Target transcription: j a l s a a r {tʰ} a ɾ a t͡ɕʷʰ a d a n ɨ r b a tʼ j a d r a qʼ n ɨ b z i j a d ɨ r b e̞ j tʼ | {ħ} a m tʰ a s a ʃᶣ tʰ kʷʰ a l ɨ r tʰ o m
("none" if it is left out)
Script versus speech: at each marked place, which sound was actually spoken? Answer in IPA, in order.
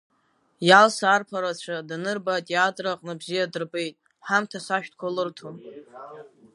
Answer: pʰ, ħ

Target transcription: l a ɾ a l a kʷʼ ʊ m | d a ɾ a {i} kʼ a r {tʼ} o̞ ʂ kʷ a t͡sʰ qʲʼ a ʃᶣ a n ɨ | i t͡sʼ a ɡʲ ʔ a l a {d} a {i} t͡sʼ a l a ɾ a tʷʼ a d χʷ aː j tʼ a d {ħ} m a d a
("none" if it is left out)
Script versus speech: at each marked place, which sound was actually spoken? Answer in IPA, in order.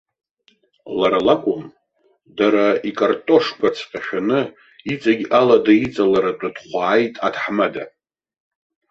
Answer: i, tʼ, d, i, ħ

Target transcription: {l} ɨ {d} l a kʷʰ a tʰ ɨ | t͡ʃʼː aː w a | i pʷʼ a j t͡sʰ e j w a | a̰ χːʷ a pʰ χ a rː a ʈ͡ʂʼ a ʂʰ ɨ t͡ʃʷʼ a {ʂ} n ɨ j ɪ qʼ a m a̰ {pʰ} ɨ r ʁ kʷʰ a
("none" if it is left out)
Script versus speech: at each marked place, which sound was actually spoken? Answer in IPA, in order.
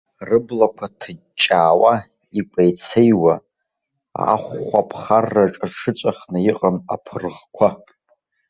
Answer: r, b, χ, pʰ

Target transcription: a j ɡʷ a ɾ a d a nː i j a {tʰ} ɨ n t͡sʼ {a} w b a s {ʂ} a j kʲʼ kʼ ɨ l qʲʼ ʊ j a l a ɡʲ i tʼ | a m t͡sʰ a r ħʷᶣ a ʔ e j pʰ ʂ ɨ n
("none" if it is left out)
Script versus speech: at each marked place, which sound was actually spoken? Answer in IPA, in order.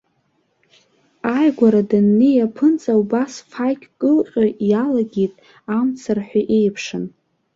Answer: pʰ, a, f

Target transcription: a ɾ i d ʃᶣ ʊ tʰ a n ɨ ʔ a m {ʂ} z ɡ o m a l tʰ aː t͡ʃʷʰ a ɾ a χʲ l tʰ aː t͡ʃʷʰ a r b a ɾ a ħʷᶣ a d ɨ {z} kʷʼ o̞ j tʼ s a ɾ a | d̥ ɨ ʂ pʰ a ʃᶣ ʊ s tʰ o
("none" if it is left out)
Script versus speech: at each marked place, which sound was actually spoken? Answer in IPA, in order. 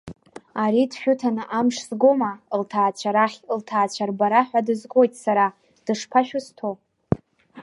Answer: ʂ, z

